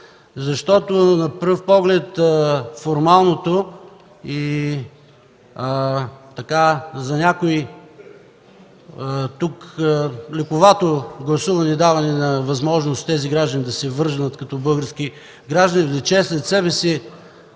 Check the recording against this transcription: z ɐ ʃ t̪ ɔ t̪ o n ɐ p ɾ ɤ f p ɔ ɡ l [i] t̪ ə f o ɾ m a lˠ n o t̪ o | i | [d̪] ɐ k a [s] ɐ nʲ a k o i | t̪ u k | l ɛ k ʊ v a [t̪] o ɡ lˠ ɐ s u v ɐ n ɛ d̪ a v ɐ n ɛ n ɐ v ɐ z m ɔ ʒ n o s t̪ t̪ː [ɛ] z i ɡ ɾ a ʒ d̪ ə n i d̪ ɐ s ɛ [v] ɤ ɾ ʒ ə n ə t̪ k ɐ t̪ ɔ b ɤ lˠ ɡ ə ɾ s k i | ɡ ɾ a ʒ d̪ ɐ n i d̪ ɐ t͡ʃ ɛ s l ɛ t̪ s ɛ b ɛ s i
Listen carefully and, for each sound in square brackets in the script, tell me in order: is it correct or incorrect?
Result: incorrect, incorrect, incorrect, correct, correct, correct

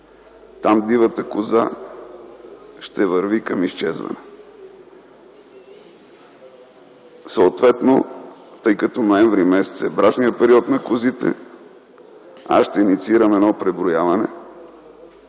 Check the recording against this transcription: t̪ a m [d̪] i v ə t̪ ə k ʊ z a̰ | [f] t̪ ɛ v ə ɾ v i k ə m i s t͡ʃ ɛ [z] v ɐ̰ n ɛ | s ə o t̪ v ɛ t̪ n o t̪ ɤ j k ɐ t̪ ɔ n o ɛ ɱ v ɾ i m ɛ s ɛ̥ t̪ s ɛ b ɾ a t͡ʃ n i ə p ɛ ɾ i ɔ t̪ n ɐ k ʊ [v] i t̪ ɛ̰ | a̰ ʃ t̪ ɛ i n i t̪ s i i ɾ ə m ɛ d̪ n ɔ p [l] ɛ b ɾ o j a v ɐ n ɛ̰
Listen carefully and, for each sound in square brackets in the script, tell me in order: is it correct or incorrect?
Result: correct, incorrect, correct, incorrect, incorrect

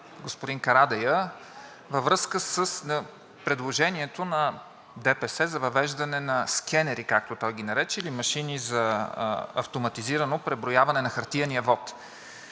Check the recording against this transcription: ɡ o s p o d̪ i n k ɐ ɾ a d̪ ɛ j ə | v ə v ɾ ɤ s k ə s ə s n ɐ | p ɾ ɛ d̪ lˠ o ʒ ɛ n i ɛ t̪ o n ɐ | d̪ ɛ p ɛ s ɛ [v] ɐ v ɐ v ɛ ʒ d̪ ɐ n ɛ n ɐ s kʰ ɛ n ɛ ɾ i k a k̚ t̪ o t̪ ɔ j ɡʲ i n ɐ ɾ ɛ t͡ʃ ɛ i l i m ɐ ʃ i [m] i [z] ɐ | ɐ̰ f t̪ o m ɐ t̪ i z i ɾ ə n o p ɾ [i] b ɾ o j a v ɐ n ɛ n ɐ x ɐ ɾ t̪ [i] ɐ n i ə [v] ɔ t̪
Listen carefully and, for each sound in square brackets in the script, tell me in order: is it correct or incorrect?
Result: incorrect, incorrect, correct, incorrect, correct, correct

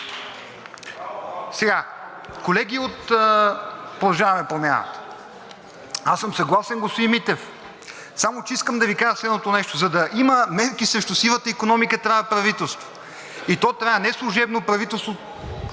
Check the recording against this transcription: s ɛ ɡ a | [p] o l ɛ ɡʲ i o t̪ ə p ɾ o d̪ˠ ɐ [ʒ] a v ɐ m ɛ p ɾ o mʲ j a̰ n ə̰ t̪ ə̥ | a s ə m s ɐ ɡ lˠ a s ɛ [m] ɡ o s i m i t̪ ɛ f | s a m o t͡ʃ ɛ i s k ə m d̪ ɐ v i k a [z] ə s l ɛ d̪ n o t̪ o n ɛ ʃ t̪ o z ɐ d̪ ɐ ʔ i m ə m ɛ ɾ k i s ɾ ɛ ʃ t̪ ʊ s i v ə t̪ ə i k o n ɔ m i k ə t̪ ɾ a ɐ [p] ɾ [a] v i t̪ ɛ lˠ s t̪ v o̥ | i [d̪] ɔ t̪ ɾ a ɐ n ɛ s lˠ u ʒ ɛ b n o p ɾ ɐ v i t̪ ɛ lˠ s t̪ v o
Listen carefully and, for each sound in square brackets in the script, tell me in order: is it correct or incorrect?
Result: incorrect, correct, incorrect, incorrect, correct, incorrect, incorrect

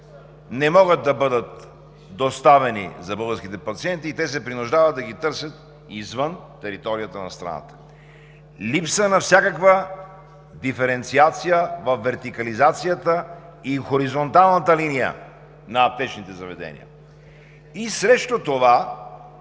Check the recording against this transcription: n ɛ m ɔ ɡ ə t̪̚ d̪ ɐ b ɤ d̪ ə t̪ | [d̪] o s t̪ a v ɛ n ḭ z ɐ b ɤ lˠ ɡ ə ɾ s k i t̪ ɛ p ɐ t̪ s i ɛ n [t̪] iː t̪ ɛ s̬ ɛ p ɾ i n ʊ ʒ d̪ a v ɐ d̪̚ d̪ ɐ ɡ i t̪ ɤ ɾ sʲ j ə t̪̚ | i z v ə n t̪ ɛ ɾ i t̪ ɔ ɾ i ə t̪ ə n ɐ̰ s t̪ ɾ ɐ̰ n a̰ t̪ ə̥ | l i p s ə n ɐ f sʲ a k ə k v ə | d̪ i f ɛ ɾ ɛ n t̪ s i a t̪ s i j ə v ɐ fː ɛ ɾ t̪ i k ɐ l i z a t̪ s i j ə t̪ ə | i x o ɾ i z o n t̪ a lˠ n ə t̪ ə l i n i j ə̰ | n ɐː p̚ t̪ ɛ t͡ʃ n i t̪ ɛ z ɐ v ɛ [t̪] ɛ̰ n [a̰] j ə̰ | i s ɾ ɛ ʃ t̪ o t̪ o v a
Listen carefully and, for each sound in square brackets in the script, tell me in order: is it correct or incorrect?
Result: correct, correct, incorrect, incorrect

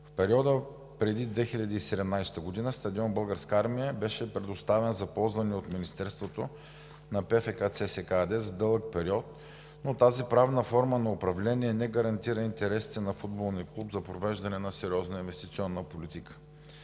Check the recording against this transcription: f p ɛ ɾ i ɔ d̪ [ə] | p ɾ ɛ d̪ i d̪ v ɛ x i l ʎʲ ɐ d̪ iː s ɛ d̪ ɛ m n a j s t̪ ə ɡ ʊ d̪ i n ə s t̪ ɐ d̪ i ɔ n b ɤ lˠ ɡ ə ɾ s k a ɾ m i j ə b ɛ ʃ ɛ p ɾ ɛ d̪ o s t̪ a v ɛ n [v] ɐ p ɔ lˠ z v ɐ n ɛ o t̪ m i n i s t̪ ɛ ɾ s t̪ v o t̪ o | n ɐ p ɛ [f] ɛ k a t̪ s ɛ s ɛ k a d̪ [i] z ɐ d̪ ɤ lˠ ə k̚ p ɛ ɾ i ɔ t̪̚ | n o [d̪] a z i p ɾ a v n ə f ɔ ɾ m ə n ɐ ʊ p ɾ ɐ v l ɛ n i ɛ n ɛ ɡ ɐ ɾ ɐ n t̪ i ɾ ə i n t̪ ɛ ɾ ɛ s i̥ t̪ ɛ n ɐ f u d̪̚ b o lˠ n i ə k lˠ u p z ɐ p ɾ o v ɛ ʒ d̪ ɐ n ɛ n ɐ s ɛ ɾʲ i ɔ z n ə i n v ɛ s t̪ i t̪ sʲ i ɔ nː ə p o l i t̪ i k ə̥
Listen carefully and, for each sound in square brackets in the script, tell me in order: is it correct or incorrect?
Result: correct, incorrect, correct, incorrect, incorrect

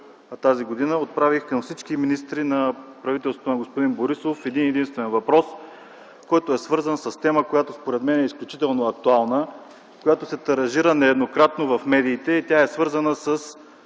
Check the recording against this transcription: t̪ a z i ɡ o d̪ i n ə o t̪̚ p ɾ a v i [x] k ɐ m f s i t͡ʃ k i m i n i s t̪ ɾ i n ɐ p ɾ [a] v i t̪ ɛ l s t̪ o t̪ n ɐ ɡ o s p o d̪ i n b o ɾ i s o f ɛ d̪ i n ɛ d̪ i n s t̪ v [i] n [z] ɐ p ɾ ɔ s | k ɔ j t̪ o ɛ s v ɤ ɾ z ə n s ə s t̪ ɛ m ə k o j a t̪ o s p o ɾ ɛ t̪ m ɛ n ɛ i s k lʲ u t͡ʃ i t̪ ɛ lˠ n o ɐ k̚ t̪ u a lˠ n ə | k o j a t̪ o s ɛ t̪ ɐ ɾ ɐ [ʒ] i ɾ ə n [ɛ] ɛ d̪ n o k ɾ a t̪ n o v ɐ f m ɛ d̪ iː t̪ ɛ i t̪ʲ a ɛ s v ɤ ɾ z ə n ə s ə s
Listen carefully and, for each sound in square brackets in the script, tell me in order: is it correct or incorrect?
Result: correct, incorrect, incorrect, incorrect, correct, correct

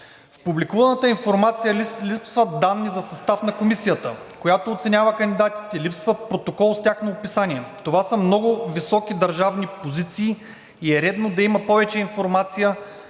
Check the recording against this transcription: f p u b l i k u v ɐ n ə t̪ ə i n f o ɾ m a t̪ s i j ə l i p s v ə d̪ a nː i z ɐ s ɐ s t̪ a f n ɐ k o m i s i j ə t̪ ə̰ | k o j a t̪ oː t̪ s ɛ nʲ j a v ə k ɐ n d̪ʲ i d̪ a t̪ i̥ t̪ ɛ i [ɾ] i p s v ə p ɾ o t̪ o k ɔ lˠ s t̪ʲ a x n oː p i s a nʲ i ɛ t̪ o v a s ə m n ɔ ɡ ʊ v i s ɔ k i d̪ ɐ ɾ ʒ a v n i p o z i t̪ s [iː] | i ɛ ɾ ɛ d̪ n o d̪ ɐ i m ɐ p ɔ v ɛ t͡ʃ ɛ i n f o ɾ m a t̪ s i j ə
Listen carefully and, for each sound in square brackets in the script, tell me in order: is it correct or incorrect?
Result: incorrect, correct

